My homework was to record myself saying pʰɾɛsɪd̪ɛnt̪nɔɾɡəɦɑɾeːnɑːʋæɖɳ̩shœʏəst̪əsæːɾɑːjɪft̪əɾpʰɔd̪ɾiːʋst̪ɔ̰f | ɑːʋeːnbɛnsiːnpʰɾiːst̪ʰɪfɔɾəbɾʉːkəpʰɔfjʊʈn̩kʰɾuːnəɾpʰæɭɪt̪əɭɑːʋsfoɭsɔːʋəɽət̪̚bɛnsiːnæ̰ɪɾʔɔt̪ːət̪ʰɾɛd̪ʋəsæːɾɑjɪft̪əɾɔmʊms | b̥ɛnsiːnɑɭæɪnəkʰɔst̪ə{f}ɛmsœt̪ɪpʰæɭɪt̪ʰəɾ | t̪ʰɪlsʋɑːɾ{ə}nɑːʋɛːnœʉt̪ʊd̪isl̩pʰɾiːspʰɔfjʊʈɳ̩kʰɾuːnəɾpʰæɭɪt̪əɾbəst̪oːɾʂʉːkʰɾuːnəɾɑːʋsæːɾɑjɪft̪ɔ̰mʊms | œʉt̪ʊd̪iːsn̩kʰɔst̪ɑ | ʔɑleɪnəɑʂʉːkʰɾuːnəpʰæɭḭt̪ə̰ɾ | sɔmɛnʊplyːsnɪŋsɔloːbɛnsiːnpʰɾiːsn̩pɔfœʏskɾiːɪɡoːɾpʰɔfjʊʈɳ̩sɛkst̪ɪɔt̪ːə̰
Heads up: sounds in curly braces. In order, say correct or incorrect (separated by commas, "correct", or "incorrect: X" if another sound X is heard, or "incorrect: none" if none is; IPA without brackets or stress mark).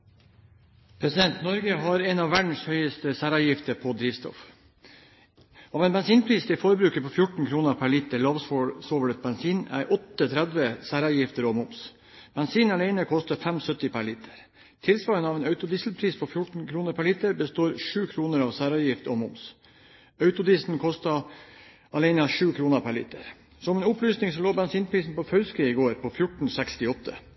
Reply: correct, correct